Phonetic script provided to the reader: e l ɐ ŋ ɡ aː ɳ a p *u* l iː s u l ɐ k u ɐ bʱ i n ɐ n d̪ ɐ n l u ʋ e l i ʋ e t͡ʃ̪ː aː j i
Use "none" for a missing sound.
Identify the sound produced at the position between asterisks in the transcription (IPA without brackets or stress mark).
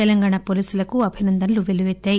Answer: o